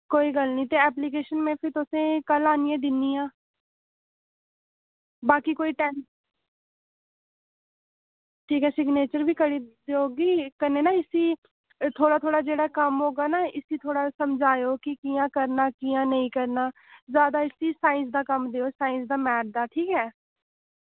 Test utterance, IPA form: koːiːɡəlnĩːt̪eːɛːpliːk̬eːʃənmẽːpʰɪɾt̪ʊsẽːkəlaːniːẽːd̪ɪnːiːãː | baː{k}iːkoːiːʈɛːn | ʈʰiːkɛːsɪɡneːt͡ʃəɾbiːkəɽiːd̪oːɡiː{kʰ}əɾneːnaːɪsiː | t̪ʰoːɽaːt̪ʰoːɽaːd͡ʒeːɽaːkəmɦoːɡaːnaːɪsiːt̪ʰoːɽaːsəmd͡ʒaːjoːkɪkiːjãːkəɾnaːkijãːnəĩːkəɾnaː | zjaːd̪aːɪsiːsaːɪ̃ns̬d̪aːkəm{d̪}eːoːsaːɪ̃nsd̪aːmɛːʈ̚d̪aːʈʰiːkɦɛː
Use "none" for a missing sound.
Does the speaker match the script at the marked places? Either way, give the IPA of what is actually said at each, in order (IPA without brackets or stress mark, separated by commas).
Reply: k, k, d̪